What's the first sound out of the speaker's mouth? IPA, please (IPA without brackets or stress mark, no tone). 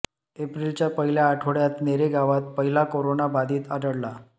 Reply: e